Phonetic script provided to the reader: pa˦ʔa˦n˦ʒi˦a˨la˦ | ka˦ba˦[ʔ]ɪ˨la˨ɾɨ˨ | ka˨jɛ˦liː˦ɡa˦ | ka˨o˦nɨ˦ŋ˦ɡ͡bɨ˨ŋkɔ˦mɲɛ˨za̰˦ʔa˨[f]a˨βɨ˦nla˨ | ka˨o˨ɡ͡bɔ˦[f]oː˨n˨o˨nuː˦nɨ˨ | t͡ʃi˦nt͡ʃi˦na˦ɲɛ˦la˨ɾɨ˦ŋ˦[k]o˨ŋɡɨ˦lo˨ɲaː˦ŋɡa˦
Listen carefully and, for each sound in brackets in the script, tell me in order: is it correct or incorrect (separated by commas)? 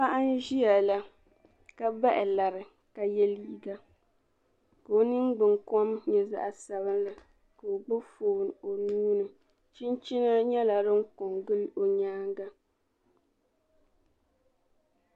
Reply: correct, incorrect, correct, correct